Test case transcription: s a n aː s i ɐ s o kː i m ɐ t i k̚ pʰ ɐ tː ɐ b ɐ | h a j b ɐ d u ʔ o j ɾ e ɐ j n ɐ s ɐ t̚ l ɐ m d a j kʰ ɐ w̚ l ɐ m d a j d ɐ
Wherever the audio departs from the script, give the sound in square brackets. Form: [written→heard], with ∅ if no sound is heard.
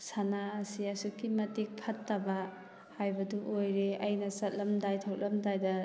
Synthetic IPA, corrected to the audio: s a n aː s i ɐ s [o→u] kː i m ɐ t i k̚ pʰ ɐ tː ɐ b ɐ | h a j b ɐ d u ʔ o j ɾ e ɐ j n ɐ s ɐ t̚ l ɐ m d a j [kʰ→tʰ] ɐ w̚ l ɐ m d a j d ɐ